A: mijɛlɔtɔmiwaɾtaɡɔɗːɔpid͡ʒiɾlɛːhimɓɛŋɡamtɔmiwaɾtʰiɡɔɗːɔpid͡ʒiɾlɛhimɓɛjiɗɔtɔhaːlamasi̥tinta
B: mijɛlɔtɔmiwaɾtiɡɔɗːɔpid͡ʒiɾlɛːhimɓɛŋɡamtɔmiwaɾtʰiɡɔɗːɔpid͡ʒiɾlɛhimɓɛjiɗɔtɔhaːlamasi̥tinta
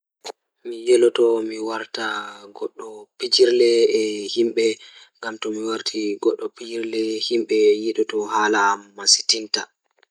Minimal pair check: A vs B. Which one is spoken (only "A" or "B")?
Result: A